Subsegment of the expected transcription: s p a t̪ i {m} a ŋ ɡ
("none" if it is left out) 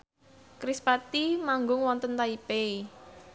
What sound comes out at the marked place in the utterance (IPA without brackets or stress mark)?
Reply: m